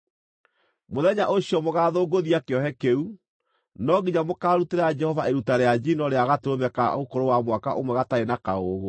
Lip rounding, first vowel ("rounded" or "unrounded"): rounded